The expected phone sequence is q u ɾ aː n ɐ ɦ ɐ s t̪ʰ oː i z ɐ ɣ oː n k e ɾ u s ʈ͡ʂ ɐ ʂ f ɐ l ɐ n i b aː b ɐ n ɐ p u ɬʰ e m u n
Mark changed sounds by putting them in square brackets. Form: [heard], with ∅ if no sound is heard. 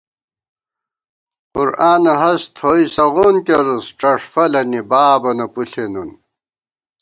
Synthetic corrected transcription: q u ɾ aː n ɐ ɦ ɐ s t̪ʰ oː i [s] ɐ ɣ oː n k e ɾ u s ʈ͡ʂ ɐ ʂ f ɐ l ɐ n i b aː b ɐ n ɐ p u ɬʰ e [n] u n

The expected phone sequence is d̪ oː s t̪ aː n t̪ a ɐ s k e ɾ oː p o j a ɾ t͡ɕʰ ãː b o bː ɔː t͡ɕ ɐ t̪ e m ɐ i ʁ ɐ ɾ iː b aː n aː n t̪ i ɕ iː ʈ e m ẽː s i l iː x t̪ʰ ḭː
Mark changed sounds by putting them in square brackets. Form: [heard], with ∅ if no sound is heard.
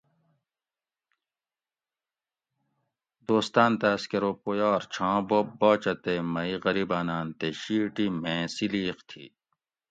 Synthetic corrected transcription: d̪ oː s t̪ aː n t̪ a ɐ s k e ɾ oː p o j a ɾ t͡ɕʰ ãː b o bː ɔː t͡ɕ ɐ t̪ e m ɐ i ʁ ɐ ɾ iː b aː n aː n t̪ [e] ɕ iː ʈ [i] m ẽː s i l iː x t̪ʰ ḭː

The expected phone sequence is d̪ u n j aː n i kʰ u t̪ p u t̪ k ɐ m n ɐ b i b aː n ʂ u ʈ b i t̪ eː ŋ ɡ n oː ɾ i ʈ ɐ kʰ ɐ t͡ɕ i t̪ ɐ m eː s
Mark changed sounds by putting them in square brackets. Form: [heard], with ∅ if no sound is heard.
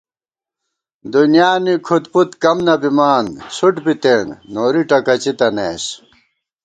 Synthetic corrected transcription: d̪ u n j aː n i kʰ u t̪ p u t̪ k ɐ m n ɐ b i [m] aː n [s] u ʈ b i t̪ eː ŋ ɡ n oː ɾ i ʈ ɐ [k] ɐ t͡ɕ i t̪ ɐ [n] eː s

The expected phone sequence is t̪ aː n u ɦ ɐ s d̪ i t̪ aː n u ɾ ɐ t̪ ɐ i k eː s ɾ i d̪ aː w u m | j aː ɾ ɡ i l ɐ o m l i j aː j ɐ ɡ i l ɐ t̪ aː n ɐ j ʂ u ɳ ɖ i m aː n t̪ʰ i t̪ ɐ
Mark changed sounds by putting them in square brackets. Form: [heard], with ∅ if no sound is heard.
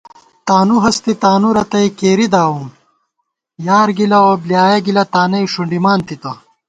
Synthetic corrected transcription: t̪ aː n u ɦ ɐ s [t̪] i t̪ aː n u ɾ ɐ t̪ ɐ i k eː [∅] ɾ i d̪ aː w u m | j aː ɾ ɡ i l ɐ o [b] l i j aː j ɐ ɡ i l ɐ t̪ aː n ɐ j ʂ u ɳ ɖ i m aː n [t̪] i t̪ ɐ

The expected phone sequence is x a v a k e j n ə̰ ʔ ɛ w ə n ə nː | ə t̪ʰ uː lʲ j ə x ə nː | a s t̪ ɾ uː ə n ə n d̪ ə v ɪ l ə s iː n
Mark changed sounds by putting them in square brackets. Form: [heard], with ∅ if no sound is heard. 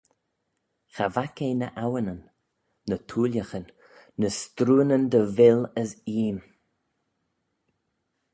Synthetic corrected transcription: x a v a k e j n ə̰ ʔ [a] w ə n ə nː | ə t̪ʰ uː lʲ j ə x ə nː | [ə] s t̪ ɾ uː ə n ə n d̪ ə v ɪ l ə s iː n

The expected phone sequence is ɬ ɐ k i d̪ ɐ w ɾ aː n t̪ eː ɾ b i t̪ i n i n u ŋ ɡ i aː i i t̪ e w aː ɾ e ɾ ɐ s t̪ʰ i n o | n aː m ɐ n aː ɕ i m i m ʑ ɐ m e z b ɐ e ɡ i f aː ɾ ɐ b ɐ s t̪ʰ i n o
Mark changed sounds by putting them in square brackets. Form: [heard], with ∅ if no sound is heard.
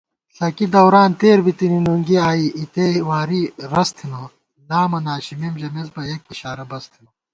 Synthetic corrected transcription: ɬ ɐ k i d̪ ɐ w ɾ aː n t̪ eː ɾ b i t̪ i n i n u ŋ ɡ i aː i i t̪ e w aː ɾ [i] ɾ ɐ s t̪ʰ i n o | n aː m ɐ n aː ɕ i m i m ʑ ɐ m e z b ɐ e [k] i [ɕ] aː ɾ ɐ b ɐ s t̪ʰ i n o

